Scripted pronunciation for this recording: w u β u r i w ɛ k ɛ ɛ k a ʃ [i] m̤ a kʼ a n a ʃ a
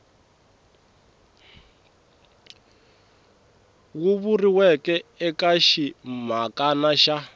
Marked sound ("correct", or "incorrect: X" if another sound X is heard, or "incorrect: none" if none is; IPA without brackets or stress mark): correct